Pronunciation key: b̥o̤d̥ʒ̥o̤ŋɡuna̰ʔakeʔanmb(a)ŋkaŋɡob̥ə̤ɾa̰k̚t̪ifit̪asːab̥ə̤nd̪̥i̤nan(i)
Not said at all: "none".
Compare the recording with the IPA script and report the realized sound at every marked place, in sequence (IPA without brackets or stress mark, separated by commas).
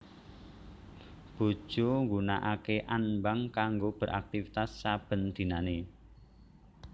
a, e